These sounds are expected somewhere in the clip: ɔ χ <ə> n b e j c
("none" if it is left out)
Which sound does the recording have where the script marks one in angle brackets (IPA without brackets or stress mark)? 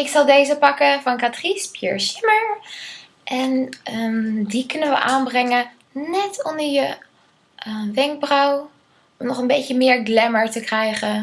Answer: ə